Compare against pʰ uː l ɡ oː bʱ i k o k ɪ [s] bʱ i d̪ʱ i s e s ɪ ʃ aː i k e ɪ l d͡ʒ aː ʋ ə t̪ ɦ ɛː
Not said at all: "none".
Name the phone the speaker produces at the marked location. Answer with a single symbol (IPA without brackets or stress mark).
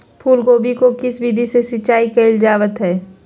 s